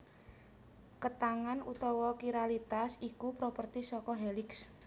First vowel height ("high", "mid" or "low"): mid